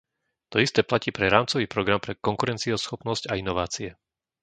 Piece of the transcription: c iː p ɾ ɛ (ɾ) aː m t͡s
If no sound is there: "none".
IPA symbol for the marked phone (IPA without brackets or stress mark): ɾ